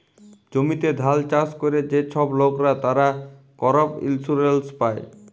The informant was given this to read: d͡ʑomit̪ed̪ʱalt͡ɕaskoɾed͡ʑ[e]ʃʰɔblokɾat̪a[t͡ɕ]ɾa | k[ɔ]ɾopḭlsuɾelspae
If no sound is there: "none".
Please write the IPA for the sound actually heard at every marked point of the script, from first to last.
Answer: e, none, ɔ

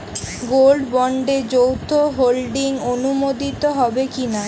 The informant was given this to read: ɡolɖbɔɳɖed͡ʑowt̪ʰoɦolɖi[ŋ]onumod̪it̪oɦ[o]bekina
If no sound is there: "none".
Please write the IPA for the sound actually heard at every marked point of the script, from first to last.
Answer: ŋ, ɔ

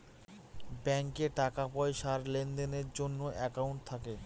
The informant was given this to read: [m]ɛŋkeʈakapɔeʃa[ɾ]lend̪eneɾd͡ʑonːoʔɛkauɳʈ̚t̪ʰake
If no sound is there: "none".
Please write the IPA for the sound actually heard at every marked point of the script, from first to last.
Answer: b, ɾ

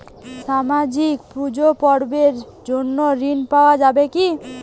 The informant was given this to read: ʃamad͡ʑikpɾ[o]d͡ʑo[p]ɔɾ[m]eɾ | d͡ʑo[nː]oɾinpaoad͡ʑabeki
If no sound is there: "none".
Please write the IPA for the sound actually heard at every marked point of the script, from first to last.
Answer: u, p, b, nː

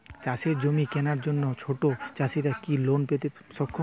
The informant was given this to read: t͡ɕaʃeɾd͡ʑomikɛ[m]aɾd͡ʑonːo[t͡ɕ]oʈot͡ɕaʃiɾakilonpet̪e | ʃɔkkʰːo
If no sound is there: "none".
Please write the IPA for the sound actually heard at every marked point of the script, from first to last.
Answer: n, t͡ɕʰ

